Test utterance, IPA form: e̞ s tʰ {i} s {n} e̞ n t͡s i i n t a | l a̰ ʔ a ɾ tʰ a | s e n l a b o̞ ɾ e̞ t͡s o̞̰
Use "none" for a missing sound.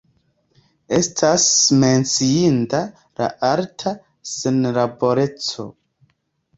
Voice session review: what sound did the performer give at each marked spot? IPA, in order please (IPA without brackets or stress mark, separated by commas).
a, m